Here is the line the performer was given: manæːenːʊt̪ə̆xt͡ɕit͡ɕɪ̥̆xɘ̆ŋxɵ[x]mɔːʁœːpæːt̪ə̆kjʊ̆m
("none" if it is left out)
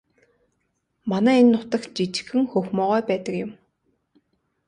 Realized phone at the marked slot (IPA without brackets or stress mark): x